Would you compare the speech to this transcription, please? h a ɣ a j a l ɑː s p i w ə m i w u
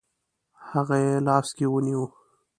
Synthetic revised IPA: h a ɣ a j e l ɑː s k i w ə n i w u